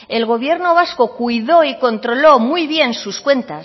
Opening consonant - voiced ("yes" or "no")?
yes